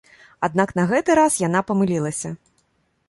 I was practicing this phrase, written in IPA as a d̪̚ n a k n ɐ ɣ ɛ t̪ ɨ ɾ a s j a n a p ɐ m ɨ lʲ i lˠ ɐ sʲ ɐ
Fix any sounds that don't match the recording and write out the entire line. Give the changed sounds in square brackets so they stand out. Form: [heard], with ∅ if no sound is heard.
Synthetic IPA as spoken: a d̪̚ n a k n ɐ ɣ ɛ t̪ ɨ ɾ a s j a n a p ɐ m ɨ lʲ i lˠ ɐ sʲ ɐ